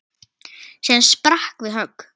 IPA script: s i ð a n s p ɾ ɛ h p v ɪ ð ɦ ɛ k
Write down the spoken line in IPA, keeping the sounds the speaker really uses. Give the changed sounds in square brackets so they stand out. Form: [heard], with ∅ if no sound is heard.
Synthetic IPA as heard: s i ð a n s p ɾ [a] h [k] v ɪ ð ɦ [œ] k